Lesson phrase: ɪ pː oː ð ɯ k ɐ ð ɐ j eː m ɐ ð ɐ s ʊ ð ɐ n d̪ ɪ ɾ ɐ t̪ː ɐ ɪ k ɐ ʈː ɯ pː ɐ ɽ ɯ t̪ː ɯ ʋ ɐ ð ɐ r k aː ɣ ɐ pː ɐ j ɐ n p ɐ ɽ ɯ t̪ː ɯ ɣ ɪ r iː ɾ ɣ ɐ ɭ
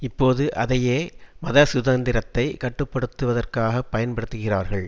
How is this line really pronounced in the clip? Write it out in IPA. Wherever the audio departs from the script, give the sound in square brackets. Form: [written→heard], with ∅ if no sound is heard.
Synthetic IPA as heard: ɪ pː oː ð ɯ [k→ʔ] ɐ ð ɐ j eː m ɐ ð ɐ s ʊ ð ɐ n d̪ ɪ ɾ ɐ t̪ː ɐ ɪ k ɐ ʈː ɯ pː ɐ ɽ ɯ t̪ː ɯ ʋ ɐ ð ɐ r k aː ɣ ɐ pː ɐ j ɐ n p ɐ ɽ ɯ t̪ː ɯ ɣ ɪ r [iː→aː] ɾ ɣ ɐ ɭ